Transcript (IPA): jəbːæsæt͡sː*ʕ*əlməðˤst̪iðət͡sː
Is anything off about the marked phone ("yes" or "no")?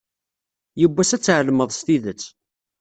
no